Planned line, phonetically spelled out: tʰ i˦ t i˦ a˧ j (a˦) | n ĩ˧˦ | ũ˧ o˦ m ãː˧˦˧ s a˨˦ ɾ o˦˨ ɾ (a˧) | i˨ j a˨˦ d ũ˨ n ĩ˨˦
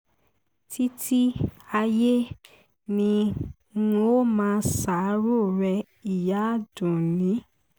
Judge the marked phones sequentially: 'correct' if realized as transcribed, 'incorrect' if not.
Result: incorrect, incorrect

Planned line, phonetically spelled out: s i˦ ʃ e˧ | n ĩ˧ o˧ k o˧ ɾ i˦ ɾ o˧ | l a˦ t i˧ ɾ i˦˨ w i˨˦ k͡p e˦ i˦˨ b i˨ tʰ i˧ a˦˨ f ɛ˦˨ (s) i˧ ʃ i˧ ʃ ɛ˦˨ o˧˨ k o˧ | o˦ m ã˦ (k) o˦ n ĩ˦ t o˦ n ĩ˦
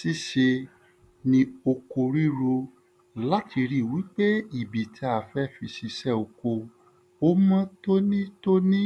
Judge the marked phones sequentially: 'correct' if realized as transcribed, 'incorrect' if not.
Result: incorrect, incorrect

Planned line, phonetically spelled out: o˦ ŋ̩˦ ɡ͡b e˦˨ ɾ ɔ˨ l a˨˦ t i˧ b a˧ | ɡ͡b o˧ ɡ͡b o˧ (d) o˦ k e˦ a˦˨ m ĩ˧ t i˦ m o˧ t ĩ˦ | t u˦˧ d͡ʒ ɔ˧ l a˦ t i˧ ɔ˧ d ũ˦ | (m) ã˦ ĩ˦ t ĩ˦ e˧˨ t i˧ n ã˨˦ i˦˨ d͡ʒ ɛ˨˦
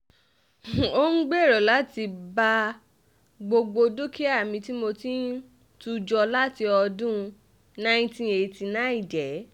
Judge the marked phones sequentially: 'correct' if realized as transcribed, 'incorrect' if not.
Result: correct, incorrect

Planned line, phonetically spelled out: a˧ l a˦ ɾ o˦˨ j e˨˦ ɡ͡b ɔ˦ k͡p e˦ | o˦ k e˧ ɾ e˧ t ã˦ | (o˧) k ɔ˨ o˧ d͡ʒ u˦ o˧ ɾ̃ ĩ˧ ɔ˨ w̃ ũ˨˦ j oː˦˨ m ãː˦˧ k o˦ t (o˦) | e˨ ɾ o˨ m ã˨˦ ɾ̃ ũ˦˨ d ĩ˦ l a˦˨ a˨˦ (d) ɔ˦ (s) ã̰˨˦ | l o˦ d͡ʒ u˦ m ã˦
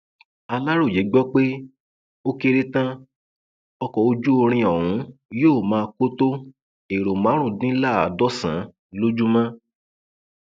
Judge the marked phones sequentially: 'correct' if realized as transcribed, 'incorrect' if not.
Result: incorrect, correct, correct, correct

